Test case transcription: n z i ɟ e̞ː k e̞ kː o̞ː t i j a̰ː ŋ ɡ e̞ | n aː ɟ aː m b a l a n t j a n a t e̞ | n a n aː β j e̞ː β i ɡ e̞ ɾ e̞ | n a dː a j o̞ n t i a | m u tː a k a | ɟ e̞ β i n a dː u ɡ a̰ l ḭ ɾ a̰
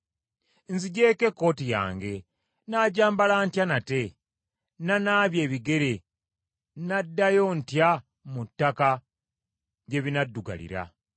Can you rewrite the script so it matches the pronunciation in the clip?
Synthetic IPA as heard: n z i ɟ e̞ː k e̞ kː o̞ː t i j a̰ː ŋ ɡ e̞ | n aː ɟ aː m b a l a n t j a n a t e̞ | n a n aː β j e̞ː β i ɡ e̞ ɾ e̞ | n a dː a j o̞ n t j a | m u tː a k a | ɟ e̞ β i n a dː u ɡ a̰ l ḭ ɾ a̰